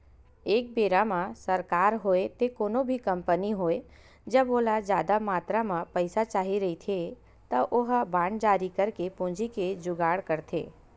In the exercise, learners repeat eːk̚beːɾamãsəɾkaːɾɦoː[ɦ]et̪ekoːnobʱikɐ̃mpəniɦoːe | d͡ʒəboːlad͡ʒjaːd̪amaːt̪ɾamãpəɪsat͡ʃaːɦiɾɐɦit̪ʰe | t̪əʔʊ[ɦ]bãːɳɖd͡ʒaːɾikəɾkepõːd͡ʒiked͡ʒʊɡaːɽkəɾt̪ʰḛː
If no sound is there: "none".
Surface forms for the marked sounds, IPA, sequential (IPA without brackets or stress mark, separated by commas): none, ɦ